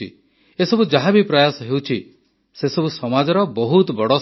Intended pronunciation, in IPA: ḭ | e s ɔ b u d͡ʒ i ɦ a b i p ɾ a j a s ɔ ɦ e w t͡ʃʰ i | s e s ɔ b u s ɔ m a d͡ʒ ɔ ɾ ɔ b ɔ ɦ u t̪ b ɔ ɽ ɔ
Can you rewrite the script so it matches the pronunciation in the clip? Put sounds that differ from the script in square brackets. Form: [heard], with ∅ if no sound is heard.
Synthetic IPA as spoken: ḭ | e s ɔ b u d͡ʒ [a] ɦ a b i p ɾ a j a s ɔ ɦ e w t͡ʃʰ i | s e s ɔ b u s ɔ m a d͡ʒ ɔ ɾ ɔ b ɔ ɦ u t̪ b ɔ ɽ ɔ